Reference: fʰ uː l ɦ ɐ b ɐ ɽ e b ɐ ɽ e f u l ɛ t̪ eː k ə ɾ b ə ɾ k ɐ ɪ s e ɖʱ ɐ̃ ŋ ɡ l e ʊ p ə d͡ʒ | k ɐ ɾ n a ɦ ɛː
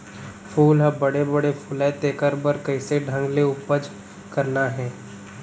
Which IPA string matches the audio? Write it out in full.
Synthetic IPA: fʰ uː l ɦ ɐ b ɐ ɽ e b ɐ ɽ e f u l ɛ t̪ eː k ə ɾ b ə ɾ k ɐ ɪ s e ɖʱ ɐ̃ ŋ ɡ l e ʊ p ə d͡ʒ | k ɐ ɾ n a ɦ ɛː

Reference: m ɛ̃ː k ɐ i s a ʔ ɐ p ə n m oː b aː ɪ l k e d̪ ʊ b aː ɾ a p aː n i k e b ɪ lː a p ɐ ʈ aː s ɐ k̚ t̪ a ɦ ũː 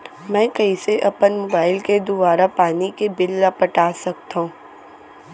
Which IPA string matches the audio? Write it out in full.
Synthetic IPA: m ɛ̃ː k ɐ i s e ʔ ɐ p ə n m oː b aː ɪ l k e d̪ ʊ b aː ɾ a p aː n i k e b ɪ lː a p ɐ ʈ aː s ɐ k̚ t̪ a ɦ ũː

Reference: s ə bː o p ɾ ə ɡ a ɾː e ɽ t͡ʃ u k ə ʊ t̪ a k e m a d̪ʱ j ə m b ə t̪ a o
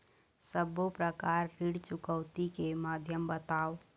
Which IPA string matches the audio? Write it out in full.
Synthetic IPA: s ə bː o p ɾ ə k a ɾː i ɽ t͡ʃ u k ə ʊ t̪ i k e m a d̪ʱ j ə m b ə t̪ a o

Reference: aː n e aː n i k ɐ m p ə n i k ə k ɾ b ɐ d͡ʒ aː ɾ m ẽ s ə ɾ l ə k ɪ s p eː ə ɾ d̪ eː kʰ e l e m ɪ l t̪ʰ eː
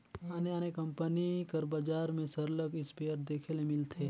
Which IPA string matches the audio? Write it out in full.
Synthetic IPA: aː n e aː n e k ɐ m p ə n i k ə ɾ b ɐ d͡ʒ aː ɾ m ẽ s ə ɾ l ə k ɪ s p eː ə ɾ d̪ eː kʰ e l e m ɪ l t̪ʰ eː

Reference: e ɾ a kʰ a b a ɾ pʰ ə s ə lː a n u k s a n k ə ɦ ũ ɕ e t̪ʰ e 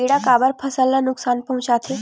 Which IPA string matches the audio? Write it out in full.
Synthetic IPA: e ɽ a k a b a ɾ pʰ ə s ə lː a n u k s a n p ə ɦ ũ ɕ a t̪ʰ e

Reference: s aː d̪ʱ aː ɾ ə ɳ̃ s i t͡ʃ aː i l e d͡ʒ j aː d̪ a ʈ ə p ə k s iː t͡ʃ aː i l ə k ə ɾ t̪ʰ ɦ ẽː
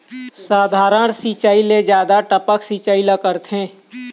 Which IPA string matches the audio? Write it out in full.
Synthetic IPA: s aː d̪ʱ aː ɾ ə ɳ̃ s i t͡ʃ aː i l e d͡ʒ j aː d̪ a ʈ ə p ə k s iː t͡ʃ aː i l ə k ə ɾ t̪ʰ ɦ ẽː

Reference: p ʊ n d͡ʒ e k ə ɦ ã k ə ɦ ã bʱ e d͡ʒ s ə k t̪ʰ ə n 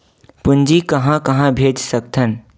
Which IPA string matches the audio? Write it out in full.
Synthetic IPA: p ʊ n d͡ʒ i k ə ɦ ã k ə ɦ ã bʱ e d͡ʒ s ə k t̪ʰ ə n

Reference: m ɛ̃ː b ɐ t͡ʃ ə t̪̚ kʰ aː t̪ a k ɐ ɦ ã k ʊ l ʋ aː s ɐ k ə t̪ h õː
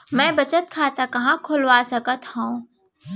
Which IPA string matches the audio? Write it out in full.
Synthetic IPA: m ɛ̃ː b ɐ t͡ʃ ə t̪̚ kʰ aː t̪ a k ɐ ɦ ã kʰ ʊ l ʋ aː s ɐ k ə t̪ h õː

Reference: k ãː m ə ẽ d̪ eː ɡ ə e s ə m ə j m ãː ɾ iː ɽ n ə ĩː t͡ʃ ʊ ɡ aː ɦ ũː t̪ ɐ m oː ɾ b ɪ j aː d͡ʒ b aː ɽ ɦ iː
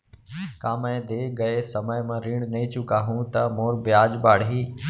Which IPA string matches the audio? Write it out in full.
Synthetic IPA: k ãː m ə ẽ d̪ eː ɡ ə e s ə m ə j m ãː ɾ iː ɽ n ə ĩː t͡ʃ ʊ k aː ɦ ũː t̪ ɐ m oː ɾ b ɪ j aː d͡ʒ b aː ɽ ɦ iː

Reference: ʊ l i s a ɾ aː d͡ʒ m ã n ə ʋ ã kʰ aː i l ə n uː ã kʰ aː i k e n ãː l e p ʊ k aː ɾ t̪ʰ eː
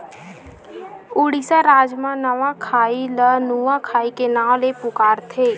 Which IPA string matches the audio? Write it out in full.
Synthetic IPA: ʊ ɽ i s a ɾ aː d͡ʒ m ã n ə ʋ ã kʰ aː i l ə n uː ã kʰ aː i k e n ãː l e p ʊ k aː ɾ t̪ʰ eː

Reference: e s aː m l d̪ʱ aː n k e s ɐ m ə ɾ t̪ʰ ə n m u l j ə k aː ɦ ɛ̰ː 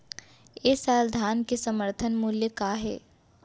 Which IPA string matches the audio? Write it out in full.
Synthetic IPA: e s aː l d̪ʱ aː n k e s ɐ m ə ɾ t̪ʰ ə n m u l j ə k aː ɦ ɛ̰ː

